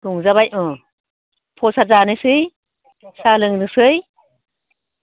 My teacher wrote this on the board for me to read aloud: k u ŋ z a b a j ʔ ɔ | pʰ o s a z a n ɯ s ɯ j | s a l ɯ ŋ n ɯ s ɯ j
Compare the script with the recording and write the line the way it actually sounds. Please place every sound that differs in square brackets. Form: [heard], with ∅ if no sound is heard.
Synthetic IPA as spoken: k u ŋ z a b a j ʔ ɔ | pʰ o s a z a n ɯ s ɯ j | s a l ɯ ŋ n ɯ s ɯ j